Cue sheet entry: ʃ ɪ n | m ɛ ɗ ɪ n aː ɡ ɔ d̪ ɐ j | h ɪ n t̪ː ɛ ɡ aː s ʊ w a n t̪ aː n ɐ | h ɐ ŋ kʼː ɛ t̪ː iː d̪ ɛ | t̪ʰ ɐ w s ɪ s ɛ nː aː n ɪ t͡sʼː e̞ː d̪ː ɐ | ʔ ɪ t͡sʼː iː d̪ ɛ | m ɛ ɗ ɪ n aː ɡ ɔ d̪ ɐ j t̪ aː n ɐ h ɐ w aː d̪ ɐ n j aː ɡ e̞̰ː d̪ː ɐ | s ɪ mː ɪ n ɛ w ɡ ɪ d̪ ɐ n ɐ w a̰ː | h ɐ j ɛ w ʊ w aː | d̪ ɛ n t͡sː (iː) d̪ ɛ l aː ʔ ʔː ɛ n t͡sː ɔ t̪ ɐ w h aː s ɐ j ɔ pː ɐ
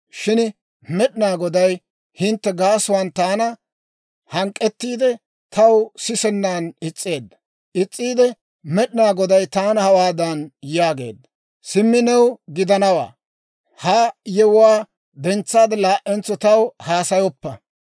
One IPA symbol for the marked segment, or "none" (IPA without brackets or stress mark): aː